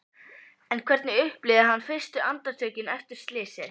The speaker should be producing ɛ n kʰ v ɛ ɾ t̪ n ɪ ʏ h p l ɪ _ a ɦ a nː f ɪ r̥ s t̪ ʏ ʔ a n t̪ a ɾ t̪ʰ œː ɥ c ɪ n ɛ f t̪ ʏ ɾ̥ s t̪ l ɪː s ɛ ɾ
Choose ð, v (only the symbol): ð